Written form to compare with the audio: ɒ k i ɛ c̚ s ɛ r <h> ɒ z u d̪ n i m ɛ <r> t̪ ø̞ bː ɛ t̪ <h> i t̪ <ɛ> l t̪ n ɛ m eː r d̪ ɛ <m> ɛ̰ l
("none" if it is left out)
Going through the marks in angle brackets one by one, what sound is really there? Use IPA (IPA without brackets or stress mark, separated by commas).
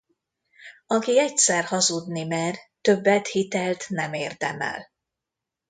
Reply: h, r, h, ɛ, m